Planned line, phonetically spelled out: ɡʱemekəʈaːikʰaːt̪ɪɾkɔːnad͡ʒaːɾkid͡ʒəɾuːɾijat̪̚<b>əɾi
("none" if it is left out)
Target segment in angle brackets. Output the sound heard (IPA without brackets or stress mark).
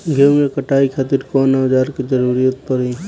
p